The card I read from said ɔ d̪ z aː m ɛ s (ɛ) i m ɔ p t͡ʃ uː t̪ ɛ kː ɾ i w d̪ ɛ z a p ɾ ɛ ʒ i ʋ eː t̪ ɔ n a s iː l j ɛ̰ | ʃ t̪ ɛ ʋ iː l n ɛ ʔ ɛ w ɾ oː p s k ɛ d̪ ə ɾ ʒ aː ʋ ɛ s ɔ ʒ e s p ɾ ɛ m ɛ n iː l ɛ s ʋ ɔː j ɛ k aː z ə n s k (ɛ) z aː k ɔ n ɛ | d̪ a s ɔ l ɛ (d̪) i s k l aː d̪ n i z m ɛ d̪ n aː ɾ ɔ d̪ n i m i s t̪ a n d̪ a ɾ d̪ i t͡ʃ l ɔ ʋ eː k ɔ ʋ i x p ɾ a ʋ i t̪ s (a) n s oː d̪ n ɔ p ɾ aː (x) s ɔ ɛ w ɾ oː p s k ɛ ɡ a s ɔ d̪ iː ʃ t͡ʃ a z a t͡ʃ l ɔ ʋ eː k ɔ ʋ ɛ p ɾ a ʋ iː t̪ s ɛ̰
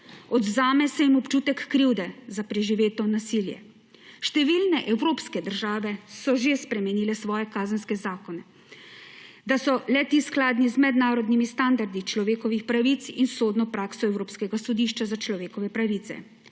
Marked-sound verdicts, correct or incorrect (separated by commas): correct, correct, incorrect, incorrect, incorrect